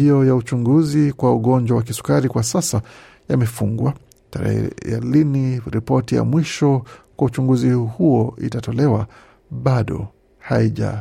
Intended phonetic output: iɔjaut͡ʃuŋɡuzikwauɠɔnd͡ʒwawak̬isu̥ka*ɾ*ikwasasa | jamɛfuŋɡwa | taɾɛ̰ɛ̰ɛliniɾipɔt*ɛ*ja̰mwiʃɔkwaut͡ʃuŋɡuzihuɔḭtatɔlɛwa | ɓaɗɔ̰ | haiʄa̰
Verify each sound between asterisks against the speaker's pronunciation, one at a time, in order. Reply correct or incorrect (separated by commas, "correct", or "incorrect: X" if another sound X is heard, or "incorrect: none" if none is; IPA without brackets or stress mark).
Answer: correct, incorrect: i